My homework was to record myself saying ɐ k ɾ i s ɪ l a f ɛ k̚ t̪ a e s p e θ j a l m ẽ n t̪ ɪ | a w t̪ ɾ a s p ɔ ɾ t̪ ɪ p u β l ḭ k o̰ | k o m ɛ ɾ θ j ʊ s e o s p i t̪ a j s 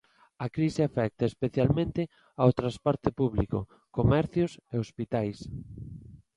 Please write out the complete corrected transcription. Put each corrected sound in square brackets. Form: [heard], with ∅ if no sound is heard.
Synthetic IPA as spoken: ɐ k ɾ i s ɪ [∅] a f ɛ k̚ t̪ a e s p e θ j a l m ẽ n t̪ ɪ | a w t̪ ɾ a s p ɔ ɾ t̪ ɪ p u β l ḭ k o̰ | k o m ɛ ɾ θ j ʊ s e o s p i t̪ a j s